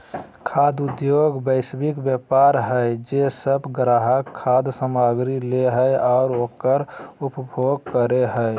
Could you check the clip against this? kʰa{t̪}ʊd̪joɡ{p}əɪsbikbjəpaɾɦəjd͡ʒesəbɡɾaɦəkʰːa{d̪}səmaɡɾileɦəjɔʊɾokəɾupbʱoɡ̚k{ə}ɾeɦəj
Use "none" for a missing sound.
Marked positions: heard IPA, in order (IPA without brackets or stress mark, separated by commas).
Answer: d̪, b, d̪, ə